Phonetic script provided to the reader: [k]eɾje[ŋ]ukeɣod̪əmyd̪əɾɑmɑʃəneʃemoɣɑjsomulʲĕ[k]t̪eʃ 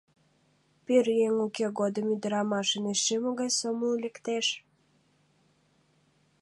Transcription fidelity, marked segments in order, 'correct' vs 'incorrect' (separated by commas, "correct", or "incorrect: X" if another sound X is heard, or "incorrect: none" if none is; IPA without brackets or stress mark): incorrect: p, correct, correct